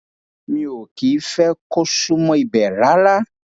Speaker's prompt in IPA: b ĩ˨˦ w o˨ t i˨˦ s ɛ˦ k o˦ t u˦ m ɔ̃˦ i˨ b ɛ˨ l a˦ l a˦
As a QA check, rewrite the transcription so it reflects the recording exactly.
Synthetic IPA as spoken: m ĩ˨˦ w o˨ k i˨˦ f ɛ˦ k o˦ s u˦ m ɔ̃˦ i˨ b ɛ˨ l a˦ l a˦

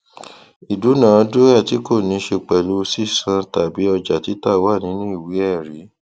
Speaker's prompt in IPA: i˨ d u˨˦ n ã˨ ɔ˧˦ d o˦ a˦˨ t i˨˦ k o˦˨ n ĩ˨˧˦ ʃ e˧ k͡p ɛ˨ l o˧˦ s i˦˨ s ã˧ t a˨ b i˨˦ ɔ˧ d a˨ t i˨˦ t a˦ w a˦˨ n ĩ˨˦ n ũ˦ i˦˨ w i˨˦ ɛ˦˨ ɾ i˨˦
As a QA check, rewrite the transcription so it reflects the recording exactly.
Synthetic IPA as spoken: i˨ d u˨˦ n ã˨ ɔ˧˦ d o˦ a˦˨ t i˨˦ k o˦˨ n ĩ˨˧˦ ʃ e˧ k͡p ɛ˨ l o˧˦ s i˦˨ s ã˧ t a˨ b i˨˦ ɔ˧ d͡ʒ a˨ t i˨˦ t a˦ w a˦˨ n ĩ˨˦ n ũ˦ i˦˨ w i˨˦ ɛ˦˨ ɾ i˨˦

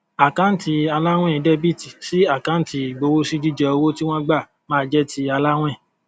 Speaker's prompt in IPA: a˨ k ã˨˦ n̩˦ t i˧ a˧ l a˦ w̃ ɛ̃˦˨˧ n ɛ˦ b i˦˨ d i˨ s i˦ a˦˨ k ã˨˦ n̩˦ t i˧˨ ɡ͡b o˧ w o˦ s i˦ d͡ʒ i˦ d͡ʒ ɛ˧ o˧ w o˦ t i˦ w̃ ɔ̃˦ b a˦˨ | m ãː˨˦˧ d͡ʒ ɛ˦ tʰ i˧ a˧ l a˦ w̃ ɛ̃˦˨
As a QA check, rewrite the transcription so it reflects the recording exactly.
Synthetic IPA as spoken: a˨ k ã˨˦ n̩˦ t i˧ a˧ l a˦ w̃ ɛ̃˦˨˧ d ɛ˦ b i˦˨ t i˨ s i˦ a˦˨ k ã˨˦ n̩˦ t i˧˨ ɡ͡b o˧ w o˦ s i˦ d͡ʒ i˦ d͡ʒ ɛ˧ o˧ w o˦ t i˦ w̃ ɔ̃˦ ɡ͡b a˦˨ | m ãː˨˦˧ d͡ʒ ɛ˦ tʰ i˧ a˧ l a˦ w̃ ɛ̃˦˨

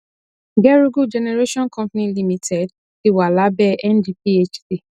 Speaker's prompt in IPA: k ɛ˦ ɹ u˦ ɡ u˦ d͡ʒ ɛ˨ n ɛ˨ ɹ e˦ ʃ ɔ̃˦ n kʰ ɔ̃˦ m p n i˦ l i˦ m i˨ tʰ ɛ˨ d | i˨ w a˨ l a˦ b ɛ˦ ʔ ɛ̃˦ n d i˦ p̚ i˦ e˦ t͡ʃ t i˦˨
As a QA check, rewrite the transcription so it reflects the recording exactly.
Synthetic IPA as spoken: ɡ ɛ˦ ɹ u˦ ɡ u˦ d͡ʒ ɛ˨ n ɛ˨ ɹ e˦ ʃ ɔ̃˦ n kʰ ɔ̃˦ m p n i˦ l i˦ m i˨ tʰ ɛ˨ d | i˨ w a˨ l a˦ b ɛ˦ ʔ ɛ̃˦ n d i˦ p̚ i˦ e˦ t͡ʃ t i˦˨

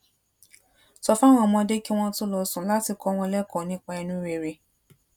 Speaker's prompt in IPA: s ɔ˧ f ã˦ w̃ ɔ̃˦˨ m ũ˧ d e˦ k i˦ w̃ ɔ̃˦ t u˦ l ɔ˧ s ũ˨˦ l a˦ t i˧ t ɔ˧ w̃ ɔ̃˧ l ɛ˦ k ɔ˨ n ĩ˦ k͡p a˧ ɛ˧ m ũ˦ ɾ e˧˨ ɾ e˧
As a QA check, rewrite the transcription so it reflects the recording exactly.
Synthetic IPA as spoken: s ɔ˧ f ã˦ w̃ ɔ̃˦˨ m ɔ̃˧ d e˦ k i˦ w̃ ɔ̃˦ t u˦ l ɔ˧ s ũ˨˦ l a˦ t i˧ k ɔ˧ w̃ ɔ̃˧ l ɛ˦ k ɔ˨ n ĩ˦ k͡p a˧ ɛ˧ n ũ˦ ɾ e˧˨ ɾ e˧

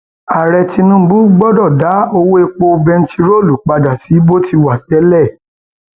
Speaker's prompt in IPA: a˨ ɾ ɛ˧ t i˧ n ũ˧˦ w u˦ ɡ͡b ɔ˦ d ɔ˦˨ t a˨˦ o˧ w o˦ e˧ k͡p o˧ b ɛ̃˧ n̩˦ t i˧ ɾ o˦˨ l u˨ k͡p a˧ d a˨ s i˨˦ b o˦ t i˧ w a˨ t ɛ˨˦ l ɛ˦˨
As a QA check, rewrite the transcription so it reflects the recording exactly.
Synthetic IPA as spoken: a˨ ɾ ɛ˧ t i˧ n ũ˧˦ b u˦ ɡ͡b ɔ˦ d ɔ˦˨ d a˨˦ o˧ w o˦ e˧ k͡p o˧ b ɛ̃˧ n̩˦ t i˧ ɾ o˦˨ l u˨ k͡p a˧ d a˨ s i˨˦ b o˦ t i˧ w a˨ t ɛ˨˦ l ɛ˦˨

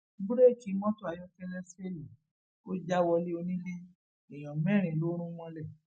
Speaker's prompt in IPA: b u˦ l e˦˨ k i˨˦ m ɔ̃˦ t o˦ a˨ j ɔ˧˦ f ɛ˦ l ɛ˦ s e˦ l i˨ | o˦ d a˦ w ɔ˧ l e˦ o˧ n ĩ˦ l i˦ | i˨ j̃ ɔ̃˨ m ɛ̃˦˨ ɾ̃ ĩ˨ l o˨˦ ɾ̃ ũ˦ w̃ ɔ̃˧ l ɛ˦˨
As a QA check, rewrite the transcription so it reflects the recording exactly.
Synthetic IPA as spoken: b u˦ ɾ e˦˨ k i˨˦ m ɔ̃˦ t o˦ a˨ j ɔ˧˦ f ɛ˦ l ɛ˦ s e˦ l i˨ | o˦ d͡ʒ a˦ w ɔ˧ l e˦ o˧ n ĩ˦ l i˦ | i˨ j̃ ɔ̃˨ m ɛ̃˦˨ ɾ̃ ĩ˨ l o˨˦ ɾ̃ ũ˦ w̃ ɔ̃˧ l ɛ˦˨

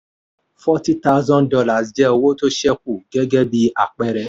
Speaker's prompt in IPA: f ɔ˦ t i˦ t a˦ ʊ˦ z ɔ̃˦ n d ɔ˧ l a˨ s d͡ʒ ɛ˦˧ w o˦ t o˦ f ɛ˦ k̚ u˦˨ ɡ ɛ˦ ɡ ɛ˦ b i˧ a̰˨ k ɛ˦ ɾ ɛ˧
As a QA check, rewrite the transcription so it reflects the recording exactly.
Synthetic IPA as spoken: f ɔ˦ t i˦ t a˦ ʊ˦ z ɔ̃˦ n d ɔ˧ l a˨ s d͡ʒ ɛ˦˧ w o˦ t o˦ ʃ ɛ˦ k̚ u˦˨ ɡ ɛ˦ ɡ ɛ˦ b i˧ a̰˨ k͡p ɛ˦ ɾ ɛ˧

